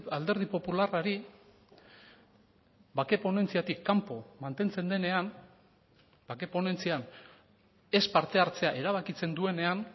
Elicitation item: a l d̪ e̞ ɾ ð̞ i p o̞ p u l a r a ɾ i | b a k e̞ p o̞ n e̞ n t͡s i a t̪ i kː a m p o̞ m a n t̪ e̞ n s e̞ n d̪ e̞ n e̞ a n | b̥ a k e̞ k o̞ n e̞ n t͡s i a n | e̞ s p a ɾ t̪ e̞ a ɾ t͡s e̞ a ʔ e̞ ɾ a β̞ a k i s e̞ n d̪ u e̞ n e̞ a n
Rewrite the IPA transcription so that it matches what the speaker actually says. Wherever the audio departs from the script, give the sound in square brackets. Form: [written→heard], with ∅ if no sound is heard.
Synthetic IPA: a l d̪ e̞ ɾ ð̞ i p o̞ p u l a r a ɾ i | b a k e̞ p o̞ n e̞ n t͡s i a t̪ i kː a m p o̞ m a n t̪ e̞ n [s→t͡s] e̞ n d̪ e̞ n e̞ a n | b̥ a k e̞ [k→p] o̞ n e̞ n t͡s i a n | e̞ s p a ɾ t̪ e̞ a ɾ t͡s e̞ a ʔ e̞ ɾ a β̞ a k i [s→t͡s] e̞ n d̪ u e̞ n e̞ a n